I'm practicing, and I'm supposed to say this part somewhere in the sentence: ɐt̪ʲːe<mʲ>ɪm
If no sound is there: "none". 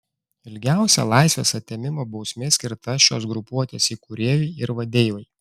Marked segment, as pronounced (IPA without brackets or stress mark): mʲ